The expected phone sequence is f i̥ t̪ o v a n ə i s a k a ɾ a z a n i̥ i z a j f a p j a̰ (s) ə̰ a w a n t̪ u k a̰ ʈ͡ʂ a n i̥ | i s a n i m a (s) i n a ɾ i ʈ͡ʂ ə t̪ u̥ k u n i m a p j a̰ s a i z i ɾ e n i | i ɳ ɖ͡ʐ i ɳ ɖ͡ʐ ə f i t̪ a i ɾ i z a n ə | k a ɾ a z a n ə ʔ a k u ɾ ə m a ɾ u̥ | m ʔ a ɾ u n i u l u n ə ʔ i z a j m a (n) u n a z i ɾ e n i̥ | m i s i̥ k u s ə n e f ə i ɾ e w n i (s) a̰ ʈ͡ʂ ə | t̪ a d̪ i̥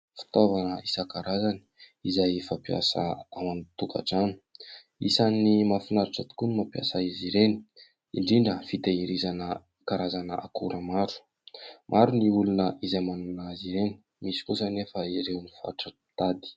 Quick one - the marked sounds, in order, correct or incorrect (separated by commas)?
correct, incorrect, correct, incorrect